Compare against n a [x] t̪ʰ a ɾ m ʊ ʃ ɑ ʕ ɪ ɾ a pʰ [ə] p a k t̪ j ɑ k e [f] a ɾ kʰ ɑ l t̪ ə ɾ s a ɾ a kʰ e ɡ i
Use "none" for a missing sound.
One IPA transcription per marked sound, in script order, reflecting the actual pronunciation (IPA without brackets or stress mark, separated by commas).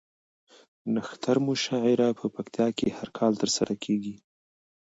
x, ə, h